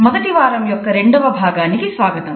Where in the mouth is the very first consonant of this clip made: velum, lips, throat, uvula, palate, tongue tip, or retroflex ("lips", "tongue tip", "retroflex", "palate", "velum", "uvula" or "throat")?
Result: lips